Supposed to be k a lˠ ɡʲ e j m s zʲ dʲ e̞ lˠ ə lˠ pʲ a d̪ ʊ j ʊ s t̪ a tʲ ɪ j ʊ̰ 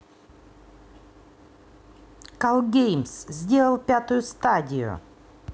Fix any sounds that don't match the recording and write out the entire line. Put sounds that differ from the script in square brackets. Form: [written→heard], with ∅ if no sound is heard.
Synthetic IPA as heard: k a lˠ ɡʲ e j m s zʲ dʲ e̞ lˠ ə lˠ pʲ a [d̪→t̪] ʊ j ʊ s t̪ a [tʲ→dʲ] ɪ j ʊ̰